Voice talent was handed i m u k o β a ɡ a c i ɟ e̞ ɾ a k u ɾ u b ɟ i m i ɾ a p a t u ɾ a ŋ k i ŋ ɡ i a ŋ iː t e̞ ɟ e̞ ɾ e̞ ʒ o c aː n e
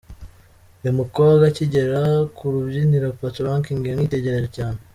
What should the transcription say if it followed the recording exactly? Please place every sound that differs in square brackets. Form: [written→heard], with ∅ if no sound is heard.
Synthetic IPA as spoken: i m u k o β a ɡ a c i ɟ e̞ ɾ a k u ɾ u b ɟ i [m→n] i ɾ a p a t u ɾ a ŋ k i ŋ ɡ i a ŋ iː t e̞ ɟ e̞ ɾ e̞ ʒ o c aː n e